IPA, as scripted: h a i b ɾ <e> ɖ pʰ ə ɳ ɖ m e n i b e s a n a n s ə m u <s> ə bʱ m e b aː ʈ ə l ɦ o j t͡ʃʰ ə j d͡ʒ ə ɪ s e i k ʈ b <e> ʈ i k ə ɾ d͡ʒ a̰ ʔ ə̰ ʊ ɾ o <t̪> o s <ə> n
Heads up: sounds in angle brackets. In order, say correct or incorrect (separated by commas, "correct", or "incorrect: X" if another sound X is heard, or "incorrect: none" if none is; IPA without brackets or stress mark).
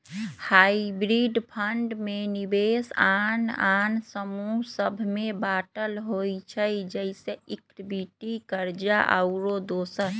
incorrect: i, correct, incorrect: i, incorrect: d̪, correct